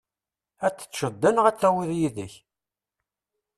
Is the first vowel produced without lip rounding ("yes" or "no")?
yes